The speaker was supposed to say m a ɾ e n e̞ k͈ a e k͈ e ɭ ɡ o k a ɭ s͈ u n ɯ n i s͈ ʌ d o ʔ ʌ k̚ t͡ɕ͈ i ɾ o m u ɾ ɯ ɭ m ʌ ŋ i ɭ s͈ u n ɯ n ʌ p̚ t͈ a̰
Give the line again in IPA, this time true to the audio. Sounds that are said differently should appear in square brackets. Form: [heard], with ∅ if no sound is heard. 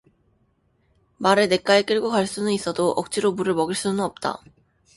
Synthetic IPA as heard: m a ɾ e n e̞ k͈ a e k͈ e ɭ ɡ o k a ɭ s͈ u n ɯ n i s͈ ʌ d o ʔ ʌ k̚ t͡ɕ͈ i ɾ o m u ɾ ɯ ɭ m ʌ [ɡ] i ɭ s͈ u n ɯ n ʌ p̚ t͈ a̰